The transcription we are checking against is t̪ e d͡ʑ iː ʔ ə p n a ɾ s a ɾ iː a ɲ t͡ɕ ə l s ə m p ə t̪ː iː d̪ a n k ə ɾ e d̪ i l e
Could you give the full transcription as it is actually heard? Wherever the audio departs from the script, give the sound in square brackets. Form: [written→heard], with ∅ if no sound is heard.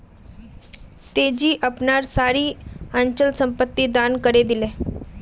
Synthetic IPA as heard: t̪ e d͡ʑ iː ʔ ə p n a ɾ s a ɾ iː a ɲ t͡ɕ ə l s ə m p ə t̪ː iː d̪ a n k ə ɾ e d̪ i l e